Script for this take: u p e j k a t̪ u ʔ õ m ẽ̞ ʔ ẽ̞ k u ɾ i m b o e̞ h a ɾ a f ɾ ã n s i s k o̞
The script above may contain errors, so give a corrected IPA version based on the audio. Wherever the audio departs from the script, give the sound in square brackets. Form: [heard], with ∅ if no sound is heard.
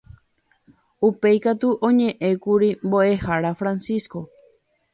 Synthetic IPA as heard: u p e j k a t̪ u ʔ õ [ɲ] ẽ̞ ʔ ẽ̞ k u ɾ i m b o e̞ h a ɾ a f ɾ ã n s i s k o̞